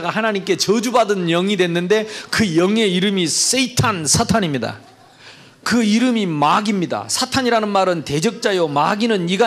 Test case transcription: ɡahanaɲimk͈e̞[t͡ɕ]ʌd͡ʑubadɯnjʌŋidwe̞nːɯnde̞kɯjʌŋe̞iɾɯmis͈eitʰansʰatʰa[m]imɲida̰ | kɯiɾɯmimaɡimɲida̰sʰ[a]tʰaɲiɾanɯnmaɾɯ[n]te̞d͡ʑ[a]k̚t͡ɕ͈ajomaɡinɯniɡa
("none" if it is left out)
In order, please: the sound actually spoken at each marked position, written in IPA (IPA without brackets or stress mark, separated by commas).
t͡ɕ, ɲ, a, n, ʌ